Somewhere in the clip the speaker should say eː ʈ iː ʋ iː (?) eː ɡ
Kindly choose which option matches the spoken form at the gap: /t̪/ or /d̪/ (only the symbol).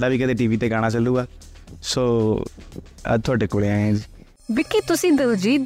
t̪